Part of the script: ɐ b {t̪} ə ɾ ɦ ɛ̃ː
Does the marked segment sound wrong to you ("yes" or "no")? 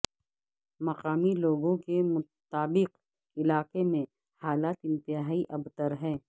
no